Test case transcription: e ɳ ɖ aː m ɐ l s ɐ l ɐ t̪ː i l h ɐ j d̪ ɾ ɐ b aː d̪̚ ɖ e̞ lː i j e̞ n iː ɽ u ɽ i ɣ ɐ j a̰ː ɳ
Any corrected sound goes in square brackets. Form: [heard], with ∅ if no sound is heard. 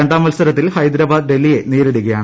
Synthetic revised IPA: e ɳ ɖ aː m ɐ l s ɐ [ɾ] ɐ t̪ː i l h ɐ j d̪ ɾ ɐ b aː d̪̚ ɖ e̞ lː i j e̞ n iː [ɾ] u ɽ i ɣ ɐ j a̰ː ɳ